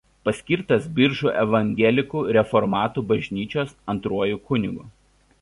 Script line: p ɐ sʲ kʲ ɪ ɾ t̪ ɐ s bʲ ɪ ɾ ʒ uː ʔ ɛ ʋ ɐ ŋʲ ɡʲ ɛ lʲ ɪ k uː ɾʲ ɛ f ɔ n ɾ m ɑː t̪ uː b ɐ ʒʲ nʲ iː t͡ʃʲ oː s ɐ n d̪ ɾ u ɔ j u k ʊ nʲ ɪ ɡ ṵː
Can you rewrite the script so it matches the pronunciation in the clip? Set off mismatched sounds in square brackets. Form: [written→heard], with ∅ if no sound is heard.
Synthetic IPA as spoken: p ɐ sʲ kʲ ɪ ɾ t̪ ɐ s bʲ ɪ ɾ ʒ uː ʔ ɛ ʋ ɐ ŋʲ ɡʲ ɛ lʲ ɪ k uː ɾʲ ɛ f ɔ [n→∅] ɾ m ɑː t̪ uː b ɐ ʒʲ nʲ iː t͡ʃʲ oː s ɐ n [d̪→t̪] ɾ u ɔ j u k ʊ nʲ ɪ ɡ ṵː